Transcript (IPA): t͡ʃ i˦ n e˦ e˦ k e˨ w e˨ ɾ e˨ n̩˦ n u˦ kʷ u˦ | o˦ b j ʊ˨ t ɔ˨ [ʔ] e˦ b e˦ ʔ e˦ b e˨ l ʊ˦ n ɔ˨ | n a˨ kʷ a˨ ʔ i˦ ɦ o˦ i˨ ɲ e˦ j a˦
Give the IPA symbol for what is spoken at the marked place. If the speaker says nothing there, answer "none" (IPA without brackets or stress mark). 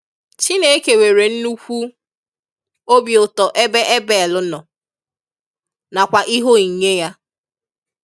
ʔ